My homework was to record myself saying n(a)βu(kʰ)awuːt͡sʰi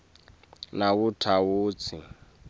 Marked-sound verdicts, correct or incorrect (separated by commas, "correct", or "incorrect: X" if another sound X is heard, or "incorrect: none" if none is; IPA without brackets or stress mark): correct, incorrect: tʰ